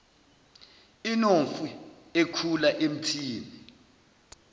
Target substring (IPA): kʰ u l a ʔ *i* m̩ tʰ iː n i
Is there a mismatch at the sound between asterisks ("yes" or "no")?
yes